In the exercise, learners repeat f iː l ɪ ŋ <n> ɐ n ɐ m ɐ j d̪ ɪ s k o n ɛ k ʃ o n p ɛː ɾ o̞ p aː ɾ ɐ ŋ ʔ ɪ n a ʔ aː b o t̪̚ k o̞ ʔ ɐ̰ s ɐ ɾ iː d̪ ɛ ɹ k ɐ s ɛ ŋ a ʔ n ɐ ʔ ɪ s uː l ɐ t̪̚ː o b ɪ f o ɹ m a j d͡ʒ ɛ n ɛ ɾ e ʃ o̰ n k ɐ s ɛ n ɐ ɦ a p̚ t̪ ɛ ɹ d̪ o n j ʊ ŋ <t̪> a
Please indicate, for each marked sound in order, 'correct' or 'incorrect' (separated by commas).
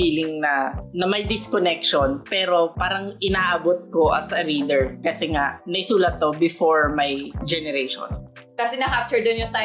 correct, correct